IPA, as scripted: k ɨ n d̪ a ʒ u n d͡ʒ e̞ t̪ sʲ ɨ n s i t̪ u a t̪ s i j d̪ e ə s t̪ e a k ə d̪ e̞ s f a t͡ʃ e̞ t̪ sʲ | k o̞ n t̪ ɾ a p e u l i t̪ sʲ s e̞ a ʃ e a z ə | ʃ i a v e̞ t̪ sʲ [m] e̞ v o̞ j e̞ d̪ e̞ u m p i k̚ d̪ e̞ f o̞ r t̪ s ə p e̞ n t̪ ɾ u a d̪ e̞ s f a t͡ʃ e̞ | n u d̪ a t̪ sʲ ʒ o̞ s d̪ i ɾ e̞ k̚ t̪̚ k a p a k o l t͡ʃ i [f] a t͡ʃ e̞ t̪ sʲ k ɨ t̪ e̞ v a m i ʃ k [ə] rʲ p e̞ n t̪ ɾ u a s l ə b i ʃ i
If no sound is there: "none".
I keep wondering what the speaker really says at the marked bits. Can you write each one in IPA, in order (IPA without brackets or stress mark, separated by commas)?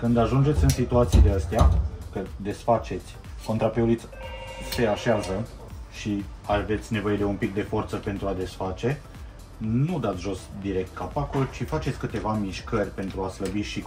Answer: n, f, ə